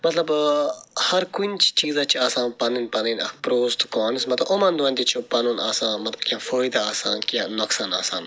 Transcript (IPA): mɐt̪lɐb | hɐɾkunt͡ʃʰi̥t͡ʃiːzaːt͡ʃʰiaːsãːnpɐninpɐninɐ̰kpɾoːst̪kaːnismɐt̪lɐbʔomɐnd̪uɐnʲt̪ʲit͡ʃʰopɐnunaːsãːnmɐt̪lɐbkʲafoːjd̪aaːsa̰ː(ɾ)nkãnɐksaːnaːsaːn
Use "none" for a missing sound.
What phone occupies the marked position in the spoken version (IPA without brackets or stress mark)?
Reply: none